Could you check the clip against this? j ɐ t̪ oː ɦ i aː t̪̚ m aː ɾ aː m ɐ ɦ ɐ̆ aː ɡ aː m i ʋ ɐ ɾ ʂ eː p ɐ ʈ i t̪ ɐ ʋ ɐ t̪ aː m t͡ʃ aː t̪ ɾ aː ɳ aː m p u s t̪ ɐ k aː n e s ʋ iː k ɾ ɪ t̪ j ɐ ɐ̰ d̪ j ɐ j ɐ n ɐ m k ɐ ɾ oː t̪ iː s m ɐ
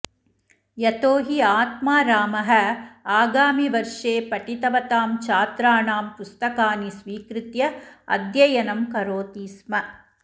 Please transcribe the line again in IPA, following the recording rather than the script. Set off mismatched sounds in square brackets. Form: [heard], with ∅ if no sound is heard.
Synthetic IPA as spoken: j ɐ t̪ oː ɦ i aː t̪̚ m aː ɾ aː m ɐ ɦ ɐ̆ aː ɡ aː m i ʋ ɐ ɾ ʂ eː p ɐ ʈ i t̪ ɐ ʋ ɐ t̪ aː m t͡ʃ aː t̪ ɾ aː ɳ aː m p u s t̪ ɐ k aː n [i] s ʋ iː k ɾ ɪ t̪ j ɐ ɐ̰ d̪ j ɐ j ɐ n ɐ m k ɐ ɾ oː t̪ iː s m ɐ